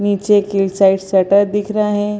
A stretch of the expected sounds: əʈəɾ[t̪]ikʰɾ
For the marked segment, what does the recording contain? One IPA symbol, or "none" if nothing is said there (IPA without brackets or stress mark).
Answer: d̪